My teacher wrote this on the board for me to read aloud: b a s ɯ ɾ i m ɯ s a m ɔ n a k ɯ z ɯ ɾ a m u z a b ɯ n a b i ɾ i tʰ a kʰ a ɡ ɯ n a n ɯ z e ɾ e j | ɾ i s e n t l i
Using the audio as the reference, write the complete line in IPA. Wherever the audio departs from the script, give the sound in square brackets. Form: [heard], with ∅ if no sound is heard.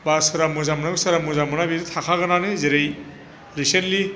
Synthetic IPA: b a s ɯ ɾ [a] m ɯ [z] a m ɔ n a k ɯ [s] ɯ ɾ a m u z a [m] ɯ n a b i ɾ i tʰ a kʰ a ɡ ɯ n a n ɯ z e ɾ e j | ɾ i s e n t l i